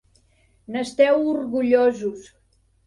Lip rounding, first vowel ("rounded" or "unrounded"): unrounded